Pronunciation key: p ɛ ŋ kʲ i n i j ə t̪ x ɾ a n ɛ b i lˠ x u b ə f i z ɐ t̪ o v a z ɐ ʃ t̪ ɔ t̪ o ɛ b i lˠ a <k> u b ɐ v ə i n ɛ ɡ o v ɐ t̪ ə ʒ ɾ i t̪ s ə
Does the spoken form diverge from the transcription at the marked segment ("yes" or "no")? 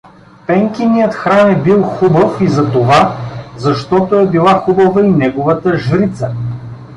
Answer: yes